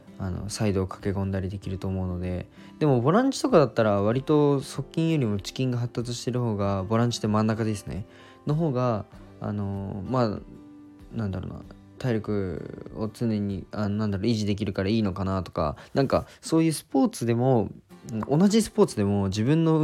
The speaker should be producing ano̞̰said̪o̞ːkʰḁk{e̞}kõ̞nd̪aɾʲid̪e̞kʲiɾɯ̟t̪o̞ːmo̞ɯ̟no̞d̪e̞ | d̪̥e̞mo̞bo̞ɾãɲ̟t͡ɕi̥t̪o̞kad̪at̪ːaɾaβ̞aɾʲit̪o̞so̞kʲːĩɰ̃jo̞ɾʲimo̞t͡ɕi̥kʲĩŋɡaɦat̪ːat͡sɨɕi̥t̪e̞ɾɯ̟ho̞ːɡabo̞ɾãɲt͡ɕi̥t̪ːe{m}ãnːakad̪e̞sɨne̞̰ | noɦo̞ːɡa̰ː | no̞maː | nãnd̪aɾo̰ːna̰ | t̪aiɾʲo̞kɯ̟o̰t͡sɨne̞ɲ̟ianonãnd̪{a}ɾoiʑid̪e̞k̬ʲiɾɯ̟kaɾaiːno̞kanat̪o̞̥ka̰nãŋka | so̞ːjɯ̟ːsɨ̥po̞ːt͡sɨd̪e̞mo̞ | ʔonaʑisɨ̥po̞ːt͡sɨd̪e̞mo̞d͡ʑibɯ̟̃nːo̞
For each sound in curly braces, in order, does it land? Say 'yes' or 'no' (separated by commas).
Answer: yes, yes, yes